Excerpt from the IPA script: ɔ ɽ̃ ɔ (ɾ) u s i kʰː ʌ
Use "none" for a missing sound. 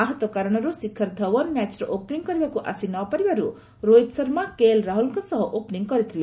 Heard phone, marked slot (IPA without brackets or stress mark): ɾ